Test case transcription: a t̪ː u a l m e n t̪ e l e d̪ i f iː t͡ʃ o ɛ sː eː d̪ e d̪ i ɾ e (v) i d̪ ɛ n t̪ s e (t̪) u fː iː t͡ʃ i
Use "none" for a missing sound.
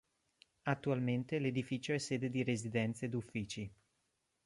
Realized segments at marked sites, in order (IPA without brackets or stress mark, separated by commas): z, d̪